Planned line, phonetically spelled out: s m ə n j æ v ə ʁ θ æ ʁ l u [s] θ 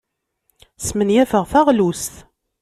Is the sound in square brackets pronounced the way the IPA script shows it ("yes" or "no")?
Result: yes